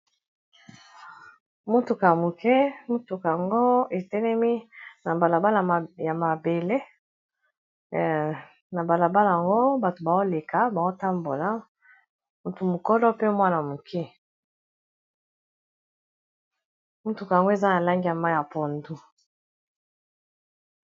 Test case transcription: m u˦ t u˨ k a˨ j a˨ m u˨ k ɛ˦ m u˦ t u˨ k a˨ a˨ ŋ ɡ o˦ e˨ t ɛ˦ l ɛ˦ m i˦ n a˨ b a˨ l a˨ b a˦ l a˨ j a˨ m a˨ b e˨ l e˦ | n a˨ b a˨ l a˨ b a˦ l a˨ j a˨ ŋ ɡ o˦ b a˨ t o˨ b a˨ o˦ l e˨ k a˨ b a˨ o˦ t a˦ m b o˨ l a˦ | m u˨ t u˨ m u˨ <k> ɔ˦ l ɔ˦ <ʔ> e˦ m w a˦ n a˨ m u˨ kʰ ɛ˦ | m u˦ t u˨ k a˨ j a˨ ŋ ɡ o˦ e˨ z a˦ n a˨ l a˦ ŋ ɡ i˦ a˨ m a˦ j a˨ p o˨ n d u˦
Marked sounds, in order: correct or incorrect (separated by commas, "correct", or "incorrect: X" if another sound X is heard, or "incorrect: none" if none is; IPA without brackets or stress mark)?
correct, incorrect: p